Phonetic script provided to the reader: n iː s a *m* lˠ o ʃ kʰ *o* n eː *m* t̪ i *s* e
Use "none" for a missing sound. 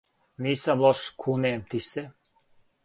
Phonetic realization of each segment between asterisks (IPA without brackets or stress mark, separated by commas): m, u, m, s